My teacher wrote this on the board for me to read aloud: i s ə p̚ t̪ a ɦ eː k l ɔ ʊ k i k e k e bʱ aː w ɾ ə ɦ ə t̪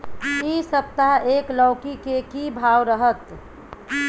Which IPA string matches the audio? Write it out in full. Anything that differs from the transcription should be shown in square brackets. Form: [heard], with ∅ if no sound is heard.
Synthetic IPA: i s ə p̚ t̪ a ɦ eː k l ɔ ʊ k i k e k [i] bʱ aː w ɾ ə ɦ ə t̪